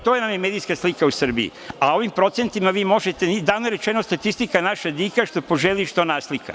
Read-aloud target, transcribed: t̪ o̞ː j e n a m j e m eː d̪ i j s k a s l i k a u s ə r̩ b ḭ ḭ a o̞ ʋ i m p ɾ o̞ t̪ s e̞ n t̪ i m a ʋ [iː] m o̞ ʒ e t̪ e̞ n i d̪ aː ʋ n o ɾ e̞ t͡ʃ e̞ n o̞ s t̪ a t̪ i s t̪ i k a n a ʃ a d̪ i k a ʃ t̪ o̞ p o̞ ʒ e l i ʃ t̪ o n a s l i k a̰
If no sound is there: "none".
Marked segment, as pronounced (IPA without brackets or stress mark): iː